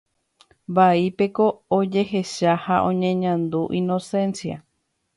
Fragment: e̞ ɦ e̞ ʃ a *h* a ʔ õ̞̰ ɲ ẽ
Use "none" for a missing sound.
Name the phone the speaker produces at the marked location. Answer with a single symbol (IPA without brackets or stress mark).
h